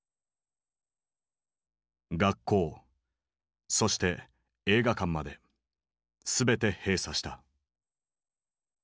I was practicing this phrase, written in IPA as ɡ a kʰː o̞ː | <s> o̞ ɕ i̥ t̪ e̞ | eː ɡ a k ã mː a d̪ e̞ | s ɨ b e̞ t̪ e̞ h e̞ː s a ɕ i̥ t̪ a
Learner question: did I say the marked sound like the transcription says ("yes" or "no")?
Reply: yes